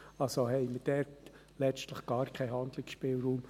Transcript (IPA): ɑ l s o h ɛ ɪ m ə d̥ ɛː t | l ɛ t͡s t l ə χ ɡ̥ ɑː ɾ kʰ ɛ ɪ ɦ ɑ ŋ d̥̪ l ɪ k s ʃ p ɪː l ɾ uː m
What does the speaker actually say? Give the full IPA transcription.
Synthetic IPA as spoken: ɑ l s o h ɛ ɪ m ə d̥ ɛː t | l ɛ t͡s t l ə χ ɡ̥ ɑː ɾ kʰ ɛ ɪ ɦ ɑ n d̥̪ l ɪ k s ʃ p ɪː l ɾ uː m